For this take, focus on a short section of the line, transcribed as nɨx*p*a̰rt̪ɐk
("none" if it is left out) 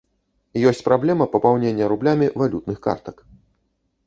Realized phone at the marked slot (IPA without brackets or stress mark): k